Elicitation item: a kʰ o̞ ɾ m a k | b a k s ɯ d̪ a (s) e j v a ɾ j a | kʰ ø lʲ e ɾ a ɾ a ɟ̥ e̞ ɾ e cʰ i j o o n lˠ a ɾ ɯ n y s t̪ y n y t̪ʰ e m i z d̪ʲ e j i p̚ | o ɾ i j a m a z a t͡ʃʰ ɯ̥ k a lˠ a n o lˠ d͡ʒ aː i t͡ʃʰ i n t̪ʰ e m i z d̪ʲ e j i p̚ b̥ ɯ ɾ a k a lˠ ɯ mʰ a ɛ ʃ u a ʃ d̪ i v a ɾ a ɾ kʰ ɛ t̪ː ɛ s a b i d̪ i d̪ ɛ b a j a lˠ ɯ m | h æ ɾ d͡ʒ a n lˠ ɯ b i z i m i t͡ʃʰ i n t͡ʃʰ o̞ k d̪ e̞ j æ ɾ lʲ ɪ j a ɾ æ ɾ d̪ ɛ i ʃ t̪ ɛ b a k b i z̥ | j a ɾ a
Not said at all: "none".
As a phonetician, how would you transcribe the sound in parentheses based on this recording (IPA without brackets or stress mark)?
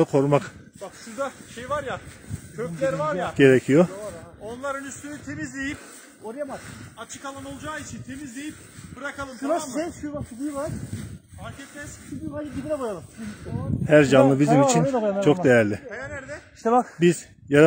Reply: ʃ